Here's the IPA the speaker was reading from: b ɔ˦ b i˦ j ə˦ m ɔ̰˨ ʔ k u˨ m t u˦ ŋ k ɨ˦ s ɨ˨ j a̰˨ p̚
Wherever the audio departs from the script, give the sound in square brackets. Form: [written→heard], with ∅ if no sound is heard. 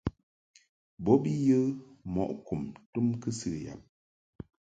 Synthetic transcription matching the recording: b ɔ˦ b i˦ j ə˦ m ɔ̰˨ ʔ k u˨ m t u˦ [ŋ→m] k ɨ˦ s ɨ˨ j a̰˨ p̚